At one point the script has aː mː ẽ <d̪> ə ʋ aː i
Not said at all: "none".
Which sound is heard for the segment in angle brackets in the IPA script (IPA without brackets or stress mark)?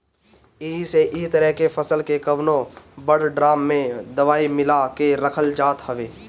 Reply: d̪